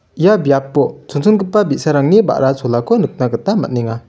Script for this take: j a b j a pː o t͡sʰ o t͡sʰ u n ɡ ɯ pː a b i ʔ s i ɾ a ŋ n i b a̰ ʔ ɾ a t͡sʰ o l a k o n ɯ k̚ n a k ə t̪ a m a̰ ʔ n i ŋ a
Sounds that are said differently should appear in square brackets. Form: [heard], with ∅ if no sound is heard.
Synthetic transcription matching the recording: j a b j a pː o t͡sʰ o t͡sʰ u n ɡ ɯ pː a b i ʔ s [a] ɾ a ŋ n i b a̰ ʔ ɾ a t͡sʰ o l a k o n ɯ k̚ n a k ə t̪ a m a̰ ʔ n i ŋ a